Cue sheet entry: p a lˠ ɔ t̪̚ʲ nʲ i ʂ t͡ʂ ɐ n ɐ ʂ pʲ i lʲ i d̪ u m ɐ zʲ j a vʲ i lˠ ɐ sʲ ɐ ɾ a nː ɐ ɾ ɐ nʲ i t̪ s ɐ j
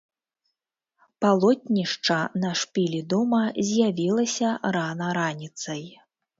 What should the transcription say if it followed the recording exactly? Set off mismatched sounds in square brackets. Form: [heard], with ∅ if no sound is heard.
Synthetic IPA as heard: p a lˠ ɔ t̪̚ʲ nʲ i ʂ t͡ʂ ɐ n ɐ ʂ pʲ i lʲ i d̪ [ɔ] m ɐ zʲ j a vʲ i lˠ ɐ sʲ ɐ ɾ a [n] ɐ ɾ [a] nʲ i t̪ s ɐ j